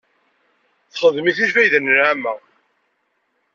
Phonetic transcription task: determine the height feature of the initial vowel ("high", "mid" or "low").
mid